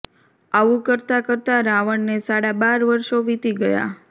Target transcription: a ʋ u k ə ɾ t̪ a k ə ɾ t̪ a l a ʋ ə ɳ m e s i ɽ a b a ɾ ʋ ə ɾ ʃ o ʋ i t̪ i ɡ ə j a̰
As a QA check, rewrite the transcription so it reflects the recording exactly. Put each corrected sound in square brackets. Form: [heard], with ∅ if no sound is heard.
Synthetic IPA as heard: a ʋ u k ə ɾ t̪ a k ə ɾ t̪ a [ɾ] a ʋ ə ɳ [n] e s [a] ɽ a b a ɾ ʋ ə ɾ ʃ o ʋ i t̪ i ɡ ə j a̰